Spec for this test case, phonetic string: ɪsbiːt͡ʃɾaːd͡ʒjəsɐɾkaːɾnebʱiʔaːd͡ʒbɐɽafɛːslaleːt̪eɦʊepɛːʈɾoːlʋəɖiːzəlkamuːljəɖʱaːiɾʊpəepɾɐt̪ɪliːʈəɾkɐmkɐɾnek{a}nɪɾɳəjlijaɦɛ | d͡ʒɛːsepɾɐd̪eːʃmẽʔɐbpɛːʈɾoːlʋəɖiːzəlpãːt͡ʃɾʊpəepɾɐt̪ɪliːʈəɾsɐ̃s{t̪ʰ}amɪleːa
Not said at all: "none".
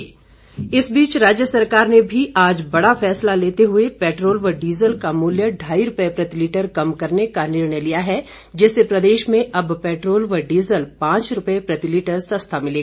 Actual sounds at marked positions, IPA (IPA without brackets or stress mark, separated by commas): a, t̪ʰ